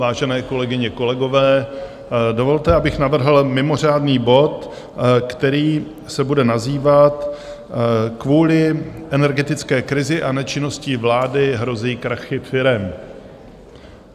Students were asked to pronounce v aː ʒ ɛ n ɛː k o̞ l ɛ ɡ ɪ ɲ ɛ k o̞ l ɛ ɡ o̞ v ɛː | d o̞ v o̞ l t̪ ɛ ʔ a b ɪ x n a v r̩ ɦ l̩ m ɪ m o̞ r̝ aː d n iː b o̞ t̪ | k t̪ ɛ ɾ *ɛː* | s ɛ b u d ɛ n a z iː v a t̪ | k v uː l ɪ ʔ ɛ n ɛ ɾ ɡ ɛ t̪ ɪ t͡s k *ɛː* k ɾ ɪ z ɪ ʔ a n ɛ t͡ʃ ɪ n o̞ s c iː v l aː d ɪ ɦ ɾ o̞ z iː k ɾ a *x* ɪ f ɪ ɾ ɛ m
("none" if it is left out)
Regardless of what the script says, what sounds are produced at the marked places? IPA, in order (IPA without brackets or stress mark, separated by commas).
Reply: iː, ɛː, x